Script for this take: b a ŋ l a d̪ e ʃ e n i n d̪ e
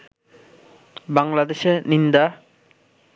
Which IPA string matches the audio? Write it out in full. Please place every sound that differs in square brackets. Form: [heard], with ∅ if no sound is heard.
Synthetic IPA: b a ŋ l a d̪ e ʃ e n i n d̪ [a]